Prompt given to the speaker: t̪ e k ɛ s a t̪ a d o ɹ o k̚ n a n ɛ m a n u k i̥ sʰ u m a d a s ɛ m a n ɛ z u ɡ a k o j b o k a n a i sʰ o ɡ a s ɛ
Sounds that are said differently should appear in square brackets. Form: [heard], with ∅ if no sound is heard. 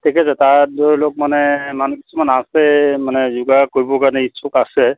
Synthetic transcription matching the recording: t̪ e k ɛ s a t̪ a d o [l] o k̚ [m] a n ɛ m a n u k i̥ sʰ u m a [n] a s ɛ m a n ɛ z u ɡ a k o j b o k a n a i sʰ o [k] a s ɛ